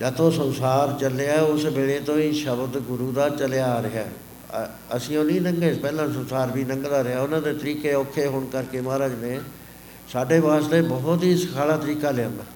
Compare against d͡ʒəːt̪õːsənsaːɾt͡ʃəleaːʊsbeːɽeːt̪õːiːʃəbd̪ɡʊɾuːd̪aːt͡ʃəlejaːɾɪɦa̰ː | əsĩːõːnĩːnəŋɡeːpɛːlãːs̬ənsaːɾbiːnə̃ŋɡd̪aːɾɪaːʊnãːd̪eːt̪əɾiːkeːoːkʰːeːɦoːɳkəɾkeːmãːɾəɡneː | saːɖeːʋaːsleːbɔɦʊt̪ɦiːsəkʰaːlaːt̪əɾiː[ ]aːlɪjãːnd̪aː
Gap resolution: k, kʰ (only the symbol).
k